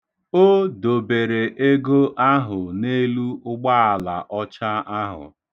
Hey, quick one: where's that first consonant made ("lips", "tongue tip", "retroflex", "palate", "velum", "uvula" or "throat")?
tongue tip